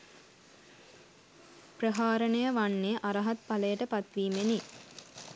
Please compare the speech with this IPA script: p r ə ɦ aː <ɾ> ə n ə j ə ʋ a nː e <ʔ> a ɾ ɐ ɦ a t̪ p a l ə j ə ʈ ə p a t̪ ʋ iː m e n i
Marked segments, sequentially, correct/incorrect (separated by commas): correct, correct